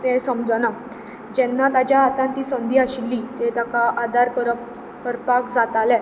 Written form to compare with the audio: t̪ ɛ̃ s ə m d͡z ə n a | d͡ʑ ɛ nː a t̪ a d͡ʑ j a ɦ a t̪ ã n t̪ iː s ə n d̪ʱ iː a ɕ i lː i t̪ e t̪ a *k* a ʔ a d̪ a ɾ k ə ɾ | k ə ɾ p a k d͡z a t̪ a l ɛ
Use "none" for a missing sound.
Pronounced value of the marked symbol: k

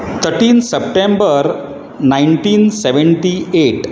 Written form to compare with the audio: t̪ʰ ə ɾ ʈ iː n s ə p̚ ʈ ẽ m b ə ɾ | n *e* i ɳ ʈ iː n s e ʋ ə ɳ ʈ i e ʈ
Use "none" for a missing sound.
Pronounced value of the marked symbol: a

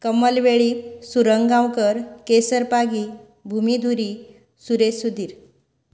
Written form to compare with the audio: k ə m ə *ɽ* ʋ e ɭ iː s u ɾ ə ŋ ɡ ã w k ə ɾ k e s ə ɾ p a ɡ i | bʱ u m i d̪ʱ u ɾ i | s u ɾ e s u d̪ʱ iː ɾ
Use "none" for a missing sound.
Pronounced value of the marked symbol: l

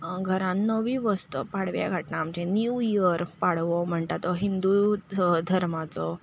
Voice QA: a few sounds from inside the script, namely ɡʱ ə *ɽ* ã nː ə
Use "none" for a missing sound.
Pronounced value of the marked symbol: ɾ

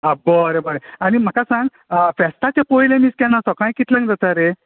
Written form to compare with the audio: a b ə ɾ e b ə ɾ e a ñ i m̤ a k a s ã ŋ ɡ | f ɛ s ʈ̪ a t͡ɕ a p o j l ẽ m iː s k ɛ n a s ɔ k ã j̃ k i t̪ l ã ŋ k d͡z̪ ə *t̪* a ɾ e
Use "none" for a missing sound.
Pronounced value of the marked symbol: t̪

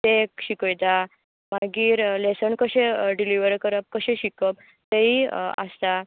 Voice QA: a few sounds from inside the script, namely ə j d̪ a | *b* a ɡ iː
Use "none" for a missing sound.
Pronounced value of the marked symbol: m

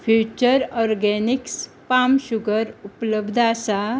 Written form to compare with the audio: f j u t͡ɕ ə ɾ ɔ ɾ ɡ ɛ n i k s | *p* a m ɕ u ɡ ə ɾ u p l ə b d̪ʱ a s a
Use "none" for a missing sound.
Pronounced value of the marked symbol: p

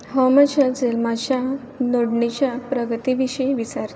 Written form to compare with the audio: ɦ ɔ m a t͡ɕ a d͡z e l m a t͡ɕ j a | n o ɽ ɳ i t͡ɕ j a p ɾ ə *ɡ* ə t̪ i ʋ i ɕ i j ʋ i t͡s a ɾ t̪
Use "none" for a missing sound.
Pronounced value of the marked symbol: ɡ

